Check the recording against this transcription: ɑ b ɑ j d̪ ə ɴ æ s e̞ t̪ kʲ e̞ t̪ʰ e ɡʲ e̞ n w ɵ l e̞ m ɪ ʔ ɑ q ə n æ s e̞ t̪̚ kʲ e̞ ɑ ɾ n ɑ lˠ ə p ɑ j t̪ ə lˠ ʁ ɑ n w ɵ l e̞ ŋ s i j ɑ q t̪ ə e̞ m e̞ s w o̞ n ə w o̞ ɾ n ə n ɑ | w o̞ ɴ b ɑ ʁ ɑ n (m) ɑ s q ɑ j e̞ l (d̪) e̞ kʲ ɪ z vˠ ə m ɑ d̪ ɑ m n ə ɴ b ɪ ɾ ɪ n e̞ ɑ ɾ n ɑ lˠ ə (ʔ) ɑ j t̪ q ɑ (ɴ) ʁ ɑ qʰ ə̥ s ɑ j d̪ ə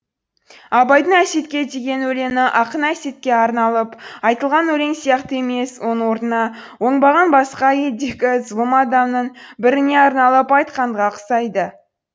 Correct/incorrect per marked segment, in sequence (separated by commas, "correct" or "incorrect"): incorrect, correct, incorrect, correct